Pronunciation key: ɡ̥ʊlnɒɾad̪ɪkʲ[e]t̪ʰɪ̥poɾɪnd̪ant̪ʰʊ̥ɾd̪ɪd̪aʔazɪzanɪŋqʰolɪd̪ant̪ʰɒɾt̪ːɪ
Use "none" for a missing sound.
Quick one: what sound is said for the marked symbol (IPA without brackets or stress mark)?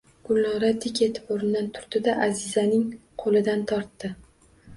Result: e